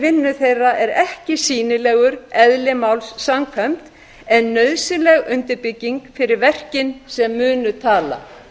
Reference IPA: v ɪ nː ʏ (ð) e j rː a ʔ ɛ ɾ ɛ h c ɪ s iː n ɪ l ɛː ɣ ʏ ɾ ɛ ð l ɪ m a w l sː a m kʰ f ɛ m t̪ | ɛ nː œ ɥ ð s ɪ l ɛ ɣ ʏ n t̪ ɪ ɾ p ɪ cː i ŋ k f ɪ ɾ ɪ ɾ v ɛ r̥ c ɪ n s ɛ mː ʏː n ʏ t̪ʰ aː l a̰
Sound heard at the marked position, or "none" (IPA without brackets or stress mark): θ